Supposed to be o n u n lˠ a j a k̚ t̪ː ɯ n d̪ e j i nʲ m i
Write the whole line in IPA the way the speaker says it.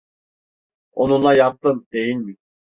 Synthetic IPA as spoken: o n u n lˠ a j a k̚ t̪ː ɯ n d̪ e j i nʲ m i